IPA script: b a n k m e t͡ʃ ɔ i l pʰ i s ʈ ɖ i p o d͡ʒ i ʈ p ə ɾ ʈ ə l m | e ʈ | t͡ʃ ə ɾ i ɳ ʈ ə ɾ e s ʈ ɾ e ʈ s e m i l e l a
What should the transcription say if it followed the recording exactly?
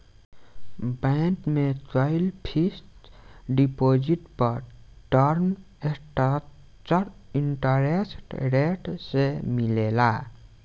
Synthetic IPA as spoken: b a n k m e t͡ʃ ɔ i l pʰ i s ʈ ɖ i p o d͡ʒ i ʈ p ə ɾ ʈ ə ɾ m | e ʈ | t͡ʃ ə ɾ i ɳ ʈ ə ɾ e s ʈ ɾ e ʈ s e m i l e l a